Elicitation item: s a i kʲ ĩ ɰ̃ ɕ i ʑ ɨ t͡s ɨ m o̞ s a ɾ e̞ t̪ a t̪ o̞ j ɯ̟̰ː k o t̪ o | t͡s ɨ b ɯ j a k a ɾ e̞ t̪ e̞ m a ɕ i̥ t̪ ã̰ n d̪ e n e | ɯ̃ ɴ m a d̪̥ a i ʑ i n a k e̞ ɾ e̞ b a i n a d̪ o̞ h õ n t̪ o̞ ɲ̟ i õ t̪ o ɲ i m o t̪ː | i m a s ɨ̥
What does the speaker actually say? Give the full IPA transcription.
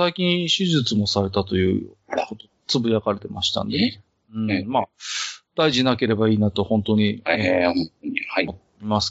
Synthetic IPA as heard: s a i kʲ ĩ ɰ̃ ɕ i ʑ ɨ t͡s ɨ m o̞ s a ɾ e̞ t̪ a t̪ o̞ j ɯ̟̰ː k o t̪ o | t͡s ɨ b ɯ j a k a ɾ e̞ t̪ e̞ m a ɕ i̥ t̪ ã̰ n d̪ e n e | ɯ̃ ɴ m a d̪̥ a i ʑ i n a k e̞ ɾ e̞ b a iː n a t̪ o̞ h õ n t̪ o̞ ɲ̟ i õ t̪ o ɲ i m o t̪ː | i m a s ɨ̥